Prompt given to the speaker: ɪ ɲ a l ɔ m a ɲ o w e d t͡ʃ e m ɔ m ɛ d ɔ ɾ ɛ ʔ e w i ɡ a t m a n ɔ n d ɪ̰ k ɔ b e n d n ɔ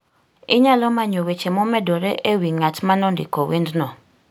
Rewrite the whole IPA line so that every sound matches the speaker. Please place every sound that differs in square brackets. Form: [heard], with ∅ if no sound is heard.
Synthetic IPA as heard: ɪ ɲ a l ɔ m a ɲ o w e [∅] t͡ʃ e m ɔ m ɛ d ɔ ɾ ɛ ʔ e w i [ŋ] a t m a n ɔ n d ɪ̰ k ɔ [w] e n d n ɔ